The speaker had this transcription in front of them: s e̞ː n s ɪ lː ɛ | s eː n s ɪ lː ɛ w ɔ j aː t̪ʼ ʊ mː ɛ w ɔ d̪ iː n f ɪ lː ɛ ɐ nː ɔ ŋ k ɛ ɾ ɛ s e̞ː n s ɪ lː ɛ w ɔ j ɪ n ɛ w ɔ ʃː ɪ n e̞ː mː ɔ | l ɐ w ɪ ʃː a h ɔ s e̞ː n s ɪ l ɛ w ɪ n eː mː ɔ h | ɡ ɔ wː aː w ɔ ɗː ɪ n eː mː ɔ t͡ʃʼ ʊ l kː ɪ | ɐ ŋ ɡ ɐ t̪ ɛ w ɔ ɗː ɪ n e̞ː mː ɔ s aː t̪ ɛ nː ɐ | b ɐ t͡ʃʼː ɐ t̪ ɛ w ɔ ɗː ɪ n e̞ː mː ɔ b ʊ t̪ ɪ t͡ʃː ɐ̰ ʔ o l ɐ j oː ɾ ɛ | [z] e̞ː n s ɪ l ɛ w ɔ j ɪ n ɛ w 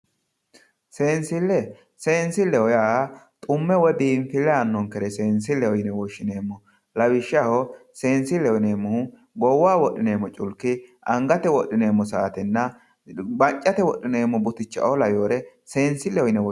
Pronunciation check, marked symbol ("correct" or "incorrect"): incorrect